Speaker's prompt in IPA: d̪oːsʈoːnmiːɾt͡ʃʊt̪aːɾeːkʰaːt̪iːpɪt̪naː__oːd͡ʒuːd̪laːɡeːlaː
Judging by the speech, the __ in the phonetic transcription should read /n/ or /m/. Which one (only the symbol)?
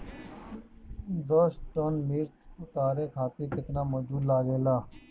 m